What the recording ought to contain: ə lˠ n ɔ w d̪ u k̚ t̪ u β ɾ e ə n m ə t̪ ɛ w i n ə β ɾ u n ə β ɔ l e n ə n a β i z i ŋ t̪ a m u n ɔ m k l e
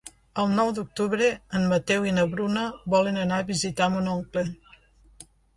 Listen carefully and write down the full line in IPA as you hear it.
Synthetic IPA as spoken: ə lˠ n ɔ w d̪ u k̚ t̪ u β ɾ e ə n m ə t̪ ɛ w i n ə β ɾ u n ə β ɔ l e n ə n a β i z i t̪ a m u n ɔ ŋ k l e